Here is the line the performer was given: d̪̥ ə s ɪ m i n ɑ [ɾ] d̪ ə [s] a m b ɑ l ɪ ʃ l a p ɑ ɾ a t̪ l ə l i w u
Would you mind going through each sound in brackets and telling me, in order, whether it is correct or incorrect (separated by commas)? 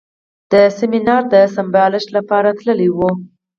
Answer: correct, correct